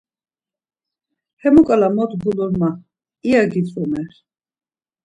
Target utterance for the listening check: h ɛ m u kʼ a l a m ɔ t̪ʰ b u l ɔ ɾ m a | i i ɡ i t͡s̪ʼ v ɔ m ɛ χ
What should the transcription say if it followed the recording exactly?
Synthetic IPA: h ɛ m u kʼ a l a m ɔ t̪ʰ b u l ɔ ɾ m a | i a ɡ i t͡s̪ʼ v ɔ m ɛ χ

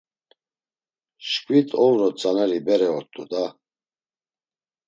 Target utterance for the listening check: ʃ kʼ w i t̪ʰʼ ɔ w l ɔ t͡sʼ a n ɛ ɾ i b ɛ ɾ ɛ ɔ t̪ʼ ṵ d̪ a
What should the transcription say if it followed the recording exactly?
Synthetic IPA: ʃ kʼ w i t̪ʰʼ ɔ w ɾ ɔ t͡sʼ a n ɛ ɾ i b ɛ ɾ ɛ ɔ t̪ʼ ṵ d̪ a

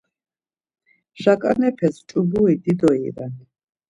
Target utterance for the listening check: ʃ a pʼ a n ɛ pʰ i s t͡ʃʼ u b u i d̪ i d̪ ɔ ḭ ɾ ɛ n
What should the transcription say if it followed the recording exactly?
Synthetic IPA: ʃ a kʼ a n ɛ pʰ ɛ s t͡ʃʼ u b u i d̪ i d̪ ɔ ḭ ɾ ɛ n

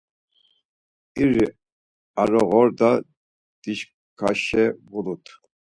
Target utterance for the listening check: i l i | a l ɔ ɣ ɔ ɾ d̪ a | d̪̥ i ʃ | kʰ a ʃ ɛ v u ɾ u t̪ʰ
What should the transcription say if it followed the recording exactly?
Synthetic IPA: i ɾ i | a ɾ ɔ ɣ ɔ ɾ d̪ a | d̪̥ i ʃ | kʰ a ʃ ɛ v u l u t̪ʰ

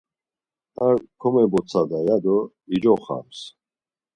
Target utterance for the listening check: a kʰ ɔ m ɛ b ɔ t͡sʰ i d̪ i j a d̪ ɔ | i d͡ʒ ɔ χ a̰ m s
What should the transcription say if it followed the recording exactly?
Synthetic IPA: a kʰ ɔ m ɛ b ɔ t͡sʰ a d̪ a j a d̪ ɔ | i d͡ʒ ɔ χ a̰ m s

